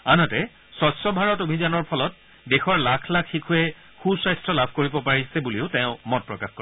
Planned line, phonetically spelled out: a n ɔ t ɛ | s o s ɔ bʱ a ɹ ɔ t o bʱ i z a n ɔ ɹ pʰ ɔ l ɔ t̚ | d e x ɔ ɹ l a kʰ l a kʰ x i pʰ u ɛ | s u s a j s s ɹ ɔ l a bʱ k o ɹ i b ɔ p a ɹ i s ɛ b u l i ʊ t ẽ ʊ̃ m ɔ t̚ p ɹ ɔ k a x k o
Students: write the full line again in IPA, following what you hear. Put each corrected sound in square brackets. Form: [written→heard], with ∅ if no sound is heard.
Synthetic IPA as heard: a n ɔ t ɛ | s [o→ɔ] s ɔ bʱ a ɹ ɔ t o bʱ i z a n ɔ ɹ pʰ ɔ l ɔ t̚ | d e x ɔ ɹ l a kʰ l a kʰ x i [pʰ→kʰ] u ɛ | [s→x] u s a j s [s→t] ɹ ɔ l a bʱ k o ɹ i b ɔ p a ɹ i s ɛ b u l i ʊ t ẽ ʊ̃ m ɔ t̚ p ɹ ɔ k a x k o